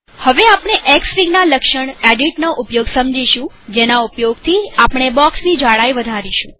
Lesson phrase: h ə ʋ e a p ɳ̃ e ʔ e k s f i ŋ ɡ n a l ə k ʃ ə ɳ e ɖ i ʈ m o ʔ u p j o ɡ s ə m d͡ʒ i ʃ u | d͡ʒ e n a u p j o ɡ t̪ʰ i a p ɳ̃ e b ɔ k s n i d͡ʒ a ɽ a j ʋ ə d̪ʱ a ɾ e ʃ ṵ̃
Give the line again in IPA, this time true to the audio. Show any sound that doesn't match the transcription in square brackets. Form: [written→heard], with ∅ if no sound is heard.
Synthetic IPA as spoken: h ə ʋ e a p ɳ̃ e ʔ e k s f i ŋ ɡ n a l ə k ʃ ə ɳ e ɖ i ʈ [m→n] o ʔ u p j o ɡ s ə m d͡ʒ i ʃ [u→ũ] | d͡ʒ e n a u p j o ɡ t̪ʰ i a p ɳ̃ e b ɔ k s n i d͡ʒ a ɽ a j ʋ ə d̪ʱ a ɾ [e→i] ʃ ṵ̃